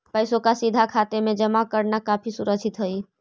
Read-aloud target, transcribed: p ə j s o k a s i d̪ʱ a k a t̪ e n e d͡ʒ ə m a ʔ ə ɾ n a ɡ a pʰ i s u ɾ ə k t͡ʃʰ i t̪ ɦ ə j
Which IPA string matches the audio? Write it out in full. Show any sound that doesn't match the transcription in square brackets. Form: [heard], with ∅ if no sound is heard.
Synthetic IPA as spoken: p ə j s o k a s i d̪ʱ a [kʰ] a t̪ e [m] e d͡ʒ ə m a [k] ə ɾ n a [k] a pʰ i s u ɾ ə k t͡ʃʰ i t̪ ɦ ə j

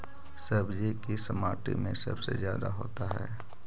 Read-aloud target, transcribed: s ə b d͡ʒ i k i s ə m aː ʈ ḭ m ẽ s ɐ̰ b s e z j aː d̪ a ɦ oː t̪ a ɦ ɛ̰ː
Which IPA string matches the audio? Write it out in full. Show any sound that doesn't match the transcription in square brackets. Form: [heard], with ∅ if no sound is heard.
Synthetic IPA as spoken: s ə b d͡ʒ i k i s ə m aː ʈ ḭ m ẽ s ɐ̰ b s e z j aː d̪ a ɦ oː t̪ a ɦ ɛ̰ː

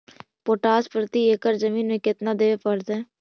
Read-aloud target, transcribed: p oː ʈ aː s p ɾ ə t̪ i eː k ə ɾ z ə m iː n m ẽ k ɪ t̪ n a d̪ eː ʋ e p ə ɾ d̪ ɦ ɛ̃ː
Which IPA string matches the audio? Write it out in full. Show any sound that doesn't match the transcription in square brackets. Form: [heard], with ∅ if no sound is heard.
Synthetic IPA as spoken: p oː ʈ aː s p ɾ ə t̪ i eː k ə ɾ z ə m iː n m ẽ k ɪ t̪ n a d̪ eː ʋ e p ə ɾ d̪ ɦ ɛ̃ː

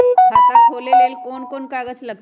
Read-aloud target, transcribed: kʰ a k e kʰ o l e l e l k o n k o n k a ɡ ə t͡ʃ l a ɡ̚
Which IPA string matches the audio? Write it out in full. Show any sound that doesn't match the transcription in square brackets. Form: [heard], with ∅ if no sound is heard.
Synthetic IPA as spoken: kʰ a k [a] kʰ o l e l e l k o n k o n k a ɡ ə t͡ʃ l [ə] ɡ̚

